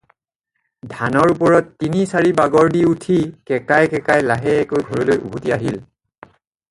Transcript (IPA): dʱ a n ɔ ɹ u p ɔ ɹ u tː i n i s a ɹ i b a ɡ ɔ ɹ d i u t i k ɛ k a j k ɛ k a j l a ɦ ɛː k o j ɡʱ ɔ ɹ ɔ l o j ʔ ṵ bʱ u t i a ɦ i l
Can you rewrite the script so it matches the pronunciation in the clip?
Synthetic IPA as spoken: dʱ a n ɔ ɹ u p ɔ ɹ ɔ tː i n i s a ɹ i b a ɡ ɔ ɹ d i u tʰ i k ɛ k a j k ɛ k a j l a ɦ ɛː k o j ɡʱ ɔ ɹ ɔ l o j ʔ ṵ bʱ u t i a ɦ i l